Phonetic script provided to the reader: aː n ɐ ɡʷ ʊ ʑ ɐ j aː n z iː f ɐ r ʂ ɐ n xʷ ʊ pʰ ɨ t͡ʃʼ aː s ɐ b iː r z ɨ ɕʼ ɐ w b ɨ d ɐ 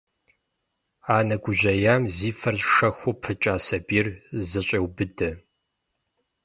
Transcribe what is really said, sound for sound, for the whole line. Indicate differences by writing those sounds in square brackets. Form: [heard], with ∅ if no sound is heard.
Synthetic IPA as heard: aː n ɐ ɡʷ ʊ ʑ ɐ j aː [m] z iː f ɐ r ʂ ɐ [∅] xʷ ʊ pʰ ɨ t͡ʃʼ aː s ɐ b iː r z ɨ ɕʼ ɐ w b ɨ d ɐ